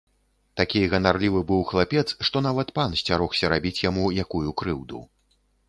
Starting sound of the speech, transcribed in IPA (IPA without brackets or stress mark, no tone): t̪